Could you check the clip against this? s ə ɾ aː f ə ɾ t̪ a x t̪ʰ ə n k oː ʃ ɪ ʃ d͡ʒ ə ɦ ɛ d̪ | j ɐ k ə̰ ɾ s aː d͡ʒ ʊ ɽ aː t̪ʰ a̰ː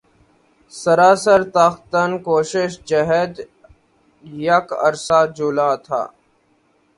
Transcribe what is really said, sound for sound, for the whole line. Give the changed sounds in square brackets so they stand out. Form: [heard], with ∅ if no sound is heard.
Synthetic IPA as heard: s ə ɾ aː [s] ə ɾ t̪ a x [t̪] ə n k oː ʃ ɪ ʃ d͡ʒ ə ɦ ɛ d̪ | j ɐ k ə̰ ɾ s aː d͡ʒ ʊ [l] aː t̪ʰ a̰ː